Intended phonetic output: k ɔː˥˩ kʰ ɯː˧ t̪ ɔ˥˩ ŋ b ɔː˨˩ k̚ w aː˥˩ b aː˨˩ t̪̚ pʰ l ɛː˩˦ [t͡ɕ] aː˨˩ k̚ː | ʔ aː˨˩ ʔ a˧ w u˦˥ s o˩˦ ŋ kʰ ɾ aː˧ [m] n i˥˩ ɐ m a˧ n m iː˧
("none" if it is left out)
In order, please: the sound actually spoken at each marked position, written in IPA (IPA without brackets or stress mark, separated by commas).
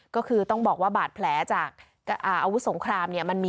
t͡ɕ, m